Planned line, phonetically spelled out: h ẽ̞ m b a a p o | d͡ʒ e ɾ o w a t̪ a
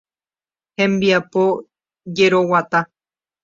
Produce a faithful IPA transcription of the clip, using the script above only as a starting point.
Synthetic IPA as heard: h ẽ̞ m b i a p o | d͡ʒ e ɾ o w a t̪ a